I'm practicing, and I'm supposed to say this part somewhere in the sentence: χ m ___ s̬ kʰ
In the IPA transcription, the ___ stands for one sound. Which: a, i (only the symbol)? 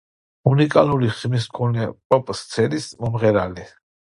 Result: i